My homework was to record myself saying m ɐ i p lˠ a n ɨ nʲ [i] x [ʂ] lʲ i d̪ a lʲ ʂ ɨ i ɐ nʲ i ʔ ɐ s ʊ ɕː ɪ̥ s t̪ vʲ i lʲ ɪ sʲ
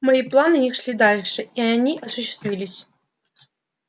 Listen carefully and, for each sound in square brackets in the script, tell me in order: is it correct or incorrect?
correct, correct

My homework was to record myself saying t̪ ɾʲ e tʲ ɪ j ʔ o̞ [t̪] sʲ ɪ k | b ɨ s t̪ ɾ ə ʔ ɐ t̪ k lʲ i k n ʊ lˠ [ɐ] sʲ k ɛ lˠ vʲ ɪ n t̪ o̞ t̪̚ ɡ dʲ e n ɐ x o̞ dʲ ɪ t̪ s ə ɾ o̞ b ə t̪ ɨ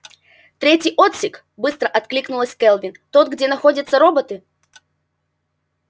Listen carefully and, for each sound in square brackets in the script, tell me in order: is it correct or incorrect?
correct, incorrect: ə

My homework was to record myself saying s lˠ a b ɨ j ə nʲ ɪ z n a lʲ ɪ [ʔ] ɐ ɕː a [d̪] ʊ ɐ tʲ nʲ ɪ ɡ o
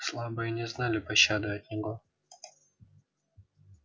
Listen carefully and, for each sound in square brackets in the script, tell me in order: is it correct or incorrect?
incorrect: p, correct

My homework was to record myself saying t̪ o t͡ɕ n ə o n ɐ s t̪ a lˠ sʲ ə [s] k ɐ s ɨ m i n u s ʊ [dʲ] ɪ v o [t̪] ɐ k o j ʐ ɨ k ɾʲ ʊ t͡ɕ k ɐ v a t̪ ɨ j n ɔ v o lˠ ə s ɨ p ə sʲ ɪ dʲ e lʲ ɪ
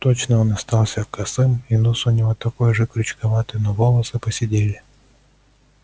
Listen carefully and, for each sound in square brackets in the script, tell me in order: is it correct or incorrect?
incorrect: none, incorrect: nʲ, correct

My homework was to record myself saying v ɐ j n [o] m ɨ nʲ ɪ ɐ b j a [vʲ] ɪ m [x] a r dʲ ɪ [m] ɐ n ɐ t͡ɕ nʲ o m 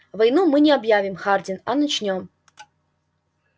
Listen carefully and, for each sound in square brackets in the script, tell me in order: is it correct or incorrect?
incorrect: u, correct, correct, incorrect: n

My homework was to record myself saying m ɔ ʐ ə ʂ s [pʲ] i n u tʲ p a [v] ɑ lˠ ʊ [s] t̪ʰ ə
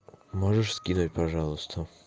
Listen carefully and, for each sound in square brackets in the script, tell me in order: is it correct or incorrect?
incorrect: kʲ, incorrect: ʐ, correct

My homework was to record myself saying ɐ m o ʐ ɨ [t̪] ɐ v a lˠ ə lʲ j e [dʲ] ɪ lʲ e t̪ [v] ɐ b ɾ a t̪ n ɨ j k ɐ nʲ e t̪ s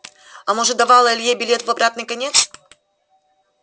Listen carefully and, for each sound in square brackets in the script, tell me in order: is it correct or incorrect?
incorrect: d̪, incorrect: bʲ, correct

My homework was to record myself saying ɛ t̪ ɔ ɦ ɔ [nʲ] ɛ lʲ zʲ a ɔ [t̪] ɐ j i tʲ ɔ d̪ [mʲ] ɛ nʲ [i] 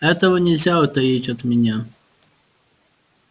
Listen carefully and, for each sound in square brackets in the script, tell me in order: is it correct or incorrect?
correct, correct, correct, incorrect: a

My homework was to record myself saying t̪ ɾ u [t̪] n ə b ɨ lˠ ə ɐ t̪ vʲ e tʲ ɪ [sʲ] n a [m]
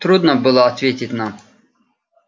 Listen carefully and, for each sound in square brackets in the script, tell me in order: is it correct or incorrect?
incorrect: d̪, incorrect: tʲ, correct

